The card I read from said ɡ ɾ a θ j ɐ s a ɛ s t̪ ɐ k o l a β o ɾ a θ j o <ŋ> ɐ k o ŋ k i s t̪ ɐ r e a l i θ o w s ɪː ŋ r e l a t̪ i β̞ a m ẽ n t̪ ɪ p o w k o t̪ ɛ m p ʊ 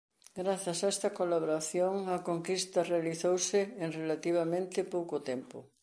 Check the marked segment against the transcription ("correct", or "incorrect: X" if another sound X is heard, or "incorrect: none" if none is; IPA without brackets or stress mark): correct